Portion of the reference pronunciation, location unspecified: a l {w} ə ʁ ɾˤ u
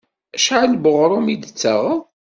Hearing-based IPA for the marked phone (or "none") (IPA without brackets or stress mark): b